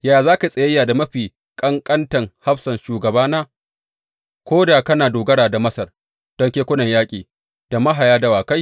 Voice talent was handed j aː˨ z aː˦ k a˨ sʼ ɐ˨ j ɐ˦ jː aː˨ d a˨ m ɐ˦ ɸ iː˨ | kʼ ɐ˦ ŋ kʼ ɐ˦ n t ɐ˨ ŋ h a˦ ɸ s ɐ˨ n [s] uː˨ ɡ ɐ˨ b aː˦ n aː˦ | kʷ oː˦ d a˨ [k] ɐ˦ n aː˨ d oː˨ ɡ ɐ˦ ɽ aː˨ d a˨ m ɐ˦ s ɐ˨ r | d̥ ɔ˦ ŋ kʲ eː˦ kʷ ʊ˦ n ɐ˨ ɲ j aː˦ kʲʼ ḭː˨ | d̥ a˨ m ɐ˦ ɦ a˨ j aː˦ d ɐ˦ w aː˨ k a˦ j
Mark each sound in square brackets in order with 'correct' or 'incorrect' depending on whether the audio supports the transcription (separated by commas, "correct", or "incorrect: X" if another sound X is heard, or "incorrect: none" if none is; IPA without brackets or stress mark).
incorrect: ʃ, correct